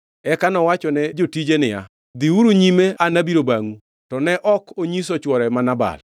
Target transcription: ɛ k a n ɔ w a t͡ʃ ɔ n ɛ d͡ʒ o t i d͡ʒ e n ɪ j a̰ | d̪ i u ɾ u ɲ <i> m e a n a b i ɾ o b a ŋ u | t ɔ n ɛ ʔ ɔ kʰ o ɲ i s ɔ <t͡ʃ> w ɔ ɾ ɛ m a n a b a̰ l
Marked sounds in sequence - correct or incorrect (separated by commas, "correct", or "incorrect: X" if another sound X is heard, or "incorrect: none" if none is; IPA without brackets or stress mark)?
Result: correct, correct